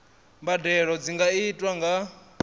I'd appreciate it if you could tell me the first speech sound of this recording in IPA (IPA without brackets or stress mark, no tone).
m